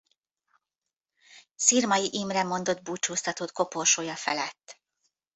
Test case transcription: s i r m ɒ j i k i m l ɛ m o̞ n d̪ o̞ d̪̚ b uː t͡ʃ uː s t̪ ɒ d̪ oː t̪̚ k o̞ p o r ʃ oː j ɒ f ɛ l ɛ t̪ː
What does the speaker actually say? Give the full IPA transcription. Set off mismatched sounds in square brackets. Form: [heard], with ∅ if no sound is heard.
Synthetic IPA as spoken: s i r m ɒ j i [ʔ] i m [r] ɛ m o̞ n d̪ o̞ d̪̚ b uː t͡ʃ uː s t̪ ɒ [t̪] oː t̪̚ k o̞ p o r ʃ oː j ɒ f ɛ l ɛ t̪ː